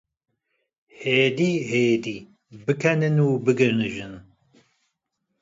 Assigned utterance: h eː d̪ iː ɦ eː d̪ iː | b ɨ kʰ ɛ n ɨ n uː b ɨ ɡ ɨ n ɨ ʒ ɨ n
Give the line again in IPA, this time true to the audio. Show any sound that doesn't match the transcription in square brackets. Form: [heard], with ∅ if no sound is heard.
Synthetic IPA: h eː d̪ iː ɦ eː d̪ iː | b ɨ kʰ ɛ n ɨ n uː b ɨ ɡ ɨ n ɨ ʒ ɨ n

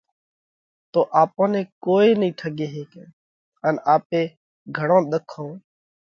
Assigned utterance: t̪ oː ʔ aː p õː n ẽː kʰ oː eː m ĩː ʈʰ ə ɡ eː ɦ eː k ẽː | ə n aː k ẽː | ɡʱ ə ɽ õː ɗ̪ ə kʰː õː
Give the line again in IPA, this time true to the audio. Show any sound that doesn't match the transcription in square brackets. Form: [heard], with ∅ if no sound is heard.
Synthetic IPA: t̪ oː ʔ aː p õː n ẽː [k] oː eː [n] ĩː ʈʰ ə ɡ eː ɦ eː k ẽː | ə n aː [p] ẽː | ɡʱ ə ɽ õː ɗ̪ ə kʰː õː

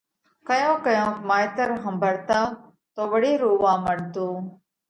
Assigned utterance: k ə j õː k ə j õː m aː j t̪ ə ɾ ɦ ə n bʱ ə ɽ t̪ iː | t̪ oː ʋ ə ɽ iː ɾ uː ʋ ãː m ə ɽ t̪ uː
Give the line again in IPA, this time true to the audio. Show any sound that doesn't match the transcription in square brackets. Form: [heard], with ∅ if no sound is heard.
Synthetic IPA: k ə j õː k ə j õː m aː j t̪ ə ɾ ɦ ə [m] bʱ ə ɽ t̪ [aː] | t̪ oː ʋ ə ɽ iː ɾ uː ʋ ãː m ə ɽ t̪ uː

